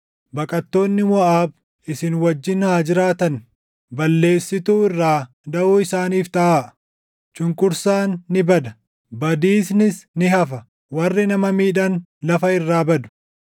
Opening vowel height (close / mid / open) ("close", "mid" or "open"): open